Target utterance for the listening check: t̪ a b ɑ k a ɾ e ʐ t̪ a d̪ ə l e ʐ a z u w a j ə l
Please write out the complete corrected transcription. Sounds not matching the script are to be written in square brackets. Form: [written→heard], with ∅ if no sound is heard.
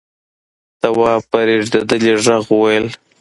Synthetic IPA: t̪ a [b→w] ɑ [k→p] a ɾ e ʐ [t̪→d̪] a d̪ ə l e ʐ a [z→ɣ] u w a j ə l